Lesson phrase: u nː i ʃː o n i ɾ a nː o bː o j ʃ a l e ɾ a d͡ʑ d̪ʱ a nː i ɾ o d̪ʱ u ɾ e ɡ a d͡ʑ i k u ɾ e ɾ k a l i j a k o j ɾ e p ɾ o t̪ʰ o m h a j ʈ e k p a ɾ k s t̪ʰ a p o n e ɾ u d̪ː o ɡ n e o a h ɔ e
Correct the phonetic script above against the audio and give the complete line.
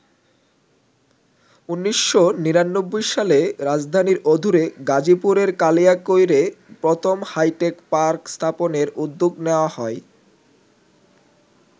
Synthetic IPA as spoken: u nː i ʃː o n i ɾ a nː o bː o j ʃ a l e ɾ a d͡ʑ d̪ʱ a n i ɾ o d̪ʱ u ɾ e ɡ a d͡ʑ i p u ɾ e ɾ k a l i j a k o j ɾ e p ɾ o t̪ʰ o m h a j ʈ e k p a ɾ k s t̪ʰ a p o n e ɾ u d̪ː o ɡ n e o a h ɔ e